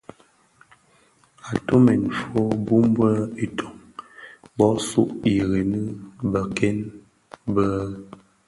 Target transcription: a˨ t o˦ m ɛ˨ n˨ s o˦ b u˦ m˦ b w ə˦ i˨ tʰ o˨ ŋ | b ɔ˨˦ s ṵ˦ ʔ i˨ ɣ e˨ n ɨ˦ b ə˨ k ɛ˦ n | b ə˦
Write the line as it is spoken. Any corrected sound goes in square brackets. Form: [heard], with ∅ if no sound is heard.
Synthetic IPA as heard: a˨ t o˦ m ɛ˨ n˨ [f] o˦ b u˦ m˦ b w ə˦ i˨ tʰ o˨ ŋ | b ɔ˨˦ s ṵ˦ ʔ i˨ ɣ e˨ n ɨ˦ b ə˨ k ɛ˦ n | b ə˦